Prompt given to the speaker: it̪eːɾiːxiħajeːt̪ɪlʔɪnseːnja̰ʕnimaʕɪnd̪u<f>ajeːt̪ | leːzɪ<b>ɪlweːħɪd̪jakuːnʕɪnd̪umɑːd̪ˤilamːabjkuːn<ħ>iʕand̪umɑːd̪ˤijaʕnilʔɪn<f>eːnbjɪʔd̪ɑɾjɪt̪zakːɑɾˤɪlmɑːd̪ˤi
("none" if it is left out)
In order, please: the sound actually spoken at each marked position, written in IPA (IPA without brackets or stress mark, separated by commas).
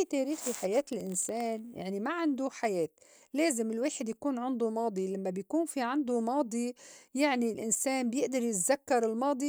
ħ, m, f, s